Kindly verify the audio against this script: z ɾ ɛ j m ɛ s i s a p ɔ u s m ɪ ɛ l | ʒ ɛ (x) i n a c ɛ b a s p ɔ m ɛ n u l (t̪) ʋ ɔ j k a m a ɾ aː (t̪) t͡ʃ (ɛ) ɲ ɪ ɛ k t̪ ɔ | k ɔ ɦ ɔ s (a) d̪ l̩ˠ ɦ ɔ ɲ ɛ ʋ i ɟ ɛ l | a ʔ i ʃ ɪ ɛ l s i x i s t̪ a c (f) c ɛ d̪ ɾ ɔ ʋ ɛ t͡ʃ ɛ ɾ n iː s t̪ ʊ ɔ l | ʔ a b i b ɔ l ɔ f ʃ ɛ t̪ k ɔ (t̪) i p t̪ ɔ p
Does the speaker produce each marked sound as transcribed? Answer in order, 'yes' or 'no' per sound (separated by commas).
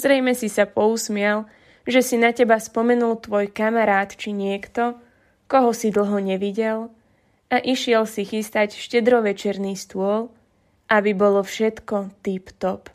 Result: no, yes, yes, no, no, no, yes